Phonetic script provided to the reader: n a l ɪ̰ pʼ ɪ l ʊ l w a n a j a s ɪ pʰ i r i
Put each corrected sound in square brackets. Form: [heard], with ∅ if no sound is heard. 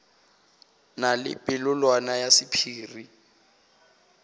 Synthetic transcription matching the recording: n a l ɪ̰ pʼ ɪ l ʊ l w a n a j a s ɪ pʰ [iː] r i